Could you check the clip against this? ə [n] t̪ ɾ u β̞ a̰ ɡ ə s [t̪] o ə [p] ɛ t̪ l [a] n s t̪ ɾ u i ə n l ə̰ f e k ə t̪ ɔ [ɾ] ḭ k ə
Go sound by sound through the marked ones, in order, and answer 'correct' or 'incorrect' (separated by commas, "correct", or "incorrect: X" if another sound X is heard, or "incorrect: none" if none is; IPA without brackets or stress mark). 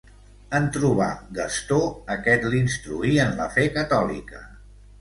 correct, correct, incorrect: k, incorrect: i, incorrect: l